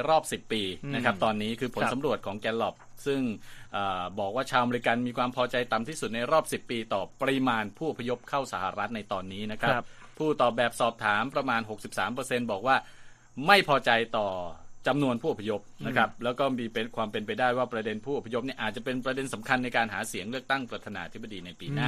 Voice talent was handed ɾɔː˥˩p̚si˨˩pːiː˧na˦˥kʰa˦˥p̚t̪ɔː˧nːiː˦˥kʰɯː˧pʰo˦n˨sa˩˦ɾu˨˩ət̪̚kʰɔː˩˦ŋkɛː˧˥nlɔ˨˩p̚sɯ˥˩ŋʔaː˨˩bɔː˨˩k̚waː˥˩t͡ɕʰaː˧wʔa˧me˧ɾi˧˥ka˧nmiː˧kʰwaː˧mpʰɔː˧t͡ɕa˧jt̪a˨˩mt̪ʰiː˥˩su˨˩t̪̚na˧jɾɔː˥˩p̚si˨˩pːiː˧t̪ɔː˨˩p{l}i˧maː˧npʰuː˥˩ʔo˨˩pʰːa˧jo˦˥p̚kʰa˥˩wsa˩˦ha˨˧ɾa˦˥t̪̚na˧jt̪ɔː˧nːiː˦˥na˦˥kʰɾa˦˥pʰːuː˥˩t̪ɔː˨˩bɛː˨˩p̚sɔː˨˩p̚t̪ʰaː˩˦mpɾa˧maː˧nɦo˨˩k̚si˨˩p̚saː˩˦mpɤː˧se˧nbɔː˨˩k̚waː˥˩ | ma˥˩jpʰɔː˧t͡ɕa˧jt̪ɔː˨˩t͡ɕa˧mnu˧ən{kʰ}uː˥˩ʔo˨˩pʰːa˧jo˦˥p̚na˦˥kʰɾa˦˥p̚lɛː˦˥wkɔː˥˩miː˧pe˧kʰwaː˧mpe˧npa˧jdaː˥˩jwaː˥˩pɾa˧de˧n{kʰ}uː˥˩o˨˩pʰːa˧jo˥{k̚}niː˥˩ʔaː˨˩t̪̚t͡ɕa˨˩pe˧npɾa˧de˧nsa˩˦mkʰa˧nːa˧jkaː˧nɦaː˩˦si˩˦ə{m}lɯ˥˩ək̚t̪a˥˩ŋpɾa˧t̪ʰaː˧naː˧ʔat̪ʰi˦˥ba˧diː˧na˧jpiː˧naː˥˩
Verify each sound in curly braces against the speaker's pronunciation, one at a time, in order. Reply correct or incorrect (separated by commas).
incorrect, incorrect, incorrect, incorrect, incorrect